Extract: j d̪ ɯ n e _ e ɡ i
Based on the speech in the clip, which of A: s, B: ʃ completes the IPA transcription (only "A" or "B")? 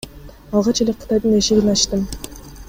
B